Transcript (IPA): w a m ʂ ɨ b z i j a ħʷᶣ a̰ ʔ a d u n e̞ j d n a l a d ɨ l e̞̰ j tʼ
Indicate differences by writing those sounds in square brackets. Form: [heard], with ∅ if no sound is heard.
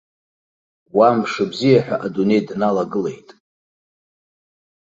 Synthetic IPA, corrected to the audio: w a m ʂ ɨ b z i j a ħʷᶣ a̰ ʔ a d u n e̞ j d n a l a [ɡ] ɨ l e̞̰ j tʼ